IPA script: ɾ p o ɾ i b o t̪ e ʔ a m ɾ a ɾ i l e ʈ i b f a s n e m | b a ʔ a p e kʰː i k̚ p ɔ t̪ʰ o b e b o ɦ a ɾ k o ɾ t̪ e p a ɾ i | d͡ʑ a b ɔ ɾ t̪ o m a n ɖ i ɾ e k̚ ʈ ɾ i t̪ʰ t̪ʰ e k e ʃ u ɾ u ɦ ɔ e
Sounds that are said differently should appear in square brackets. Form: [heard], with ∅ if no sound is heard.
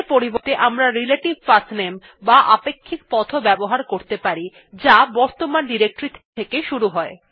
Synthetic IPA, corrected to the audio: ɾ p o ɾ i b o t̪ e ʔ a m ɾ a ɾ i l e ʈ i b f a s n e m | b a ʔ a p e kʰː i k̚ p ɔ t̪ʰ o b [ɛ] b o ɦ a ɾ k o ɾ t̪ e p a ɾ i | d͡ʑ a b ɔ ɾ t̪ o m a n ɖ i ɾ e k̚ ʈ ɾ i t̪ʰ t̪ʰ e k e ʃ u ɾ u ɦ ɔ e